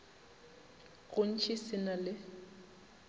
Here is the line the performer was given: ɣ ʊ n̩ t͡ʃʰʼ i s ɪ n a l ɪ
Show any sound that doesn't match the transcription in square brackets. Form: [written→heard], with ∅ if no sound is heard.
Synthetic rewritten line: ɣ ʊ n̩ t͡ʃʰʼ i s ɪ n a l ɪ

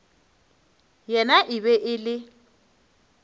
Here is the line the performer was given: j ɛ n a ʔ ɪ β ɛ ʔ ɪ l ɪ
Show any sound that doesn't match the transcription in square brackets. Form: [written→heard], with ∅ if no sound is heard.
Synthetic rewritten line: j ɛ n a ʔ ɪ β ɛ ʔ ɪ l ɪ

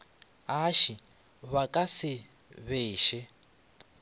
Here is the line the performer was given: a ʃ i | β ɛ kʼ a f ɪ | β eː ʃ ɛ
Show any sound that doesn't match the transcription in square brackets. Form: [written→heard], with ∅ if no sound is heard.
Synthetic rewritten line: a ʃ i | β [ɛ→a] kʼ a [f→s] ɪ | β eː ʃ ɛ

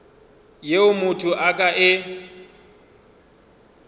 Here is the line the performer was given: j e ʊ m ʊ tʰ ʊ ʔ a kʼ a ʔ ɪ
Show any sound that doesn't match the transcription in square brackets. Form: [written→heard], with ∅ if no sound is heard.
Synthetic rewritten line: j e ʊ m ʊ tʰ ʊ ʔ a kʼ a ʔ ɪ

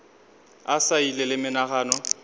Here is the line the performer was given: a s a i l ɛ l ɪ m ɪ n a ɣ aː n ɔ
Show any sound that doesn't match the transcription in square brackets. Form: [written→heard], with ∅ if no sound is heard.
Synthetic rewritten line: a s a i l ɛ l ɪ m ɪ n a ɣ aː n ɔ

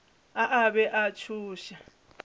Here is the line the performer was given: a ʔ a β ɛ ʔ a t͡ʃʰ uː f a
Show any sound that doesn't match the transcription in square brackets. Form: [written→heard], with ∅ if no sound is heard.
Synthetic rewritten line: a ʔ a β ɛ ʔ a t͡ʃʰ uː [f→ʃ] a

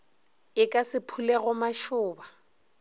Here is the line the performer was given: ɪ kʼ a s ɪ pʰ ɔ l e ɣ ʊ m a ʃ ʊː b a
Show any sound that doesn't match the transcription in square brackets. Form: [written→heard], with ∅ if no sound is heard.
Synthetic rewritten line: ɪ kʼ a s ɪ pʰ [ɔ→u] l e ɣ ʊ m a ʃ ʊː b a

